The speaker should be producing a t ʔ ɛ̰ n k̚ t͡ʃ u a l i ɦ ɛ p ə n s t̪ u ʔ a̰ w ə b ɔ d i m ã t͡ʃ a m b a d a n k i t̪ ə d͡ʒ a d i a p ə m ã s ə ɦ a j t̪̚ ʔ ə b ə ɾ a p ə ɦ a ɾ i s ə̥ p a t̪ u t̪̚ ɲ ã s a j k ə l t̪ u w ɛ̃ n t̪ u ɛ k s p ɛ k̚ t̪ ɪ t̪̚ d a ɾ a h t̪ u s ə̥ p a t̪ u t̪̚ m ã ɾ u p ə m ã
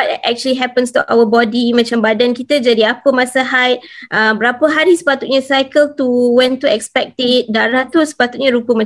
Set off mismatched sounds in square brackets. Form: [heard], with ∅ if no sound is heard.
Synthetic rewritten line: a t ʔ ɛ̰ [∅] k̚ t͡ʃ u [ə] l i ɦ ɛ p ə n s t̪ u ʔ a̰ w ə b ɔ d i m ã t͡ʃ a m b a d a n k i t̪ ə d͡ʒ a d i a p ə m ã s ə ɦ a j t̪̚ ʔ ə b ə ɾ a p ə ɦ a ɾ i s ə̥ p a t̪ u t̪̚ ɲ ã s a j k ə l t̪ u w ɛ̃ n t̪ u ɛ k s p ɛ k̚ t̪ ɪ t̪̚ d a ɾ a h t̪ u s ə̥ p a t̪ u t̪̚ [ɲ] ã ɾ u p ə m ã